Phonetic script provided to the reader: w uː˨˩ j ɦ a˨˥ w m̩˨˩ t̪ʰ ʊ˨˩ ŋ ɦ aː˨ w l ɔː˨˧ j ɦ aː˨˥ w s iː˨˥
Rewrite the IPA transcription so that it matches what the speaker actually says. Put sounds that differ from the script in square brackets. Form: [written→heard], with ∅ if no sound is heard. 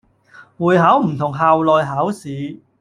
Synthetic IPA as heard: w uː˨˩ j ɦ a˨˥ w m̩˨˩ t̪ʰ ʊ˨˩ ŋ ɦ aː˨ w l ɔː˨˧ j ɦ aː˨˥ w s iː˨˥